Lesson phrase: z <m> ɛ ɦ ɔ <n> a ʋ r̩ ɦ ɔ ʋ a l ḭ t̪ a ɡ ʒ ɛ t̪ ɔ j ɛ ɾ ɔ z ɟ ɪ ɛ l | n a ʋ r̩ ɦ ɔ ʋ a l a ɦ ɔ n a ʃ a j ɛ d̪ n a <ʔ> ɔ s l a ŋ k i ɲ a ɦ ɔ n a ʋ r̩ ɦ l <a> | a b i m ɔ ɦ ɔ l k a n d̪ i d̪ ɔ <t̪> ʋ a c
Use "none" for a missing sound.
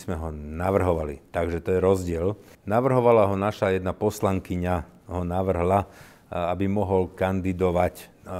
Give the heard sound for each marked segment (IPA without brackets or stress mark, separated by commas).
m, n, p, a, none